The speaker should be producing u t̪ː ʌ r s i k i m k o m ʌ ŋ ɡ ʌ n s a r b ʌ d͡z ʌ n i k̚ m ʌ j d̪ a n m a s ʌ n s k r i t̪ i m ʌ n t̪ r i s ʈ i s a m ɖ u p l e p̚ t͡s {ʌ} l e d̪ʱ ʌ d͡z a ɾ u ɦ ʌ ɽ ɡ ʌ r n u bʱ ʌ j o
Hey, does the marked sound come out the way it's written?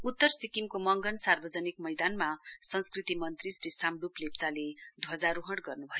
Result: no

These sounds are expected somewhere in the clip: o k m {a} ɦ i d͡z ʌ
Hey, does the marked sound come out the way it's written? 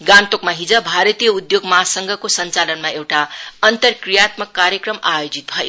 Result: yes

